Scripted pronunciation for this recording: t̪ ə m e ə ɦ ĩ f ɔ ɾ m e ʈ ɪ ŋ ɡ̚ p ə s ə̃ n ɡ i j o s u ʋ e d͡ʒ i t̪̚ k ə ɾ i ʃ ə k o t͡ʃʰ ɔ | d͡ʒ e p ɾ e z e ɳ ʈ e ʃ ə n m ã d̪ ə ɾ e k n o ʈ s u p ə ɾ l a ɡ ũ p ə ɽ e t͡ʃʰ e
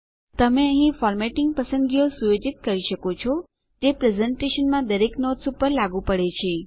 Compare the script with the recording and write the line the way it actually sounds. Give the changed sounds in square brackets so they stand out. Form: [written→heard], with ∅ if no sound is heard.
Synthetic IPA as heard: t̪ ə m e ə ɦ ĩ f ɔ ɾ m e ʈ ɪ ŋ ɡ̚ p ə s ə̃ n ɡ i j o s u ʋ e d͡ʒ i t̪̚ k ə ɾ i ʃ ə k o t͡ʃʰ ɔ | d͡ʒ e p ɾ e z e ɳ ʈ e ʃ ə n m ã d̪ ə ɾ e k n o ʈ s u p ə ɾ l a ɡ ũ p ə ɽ e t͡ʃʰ e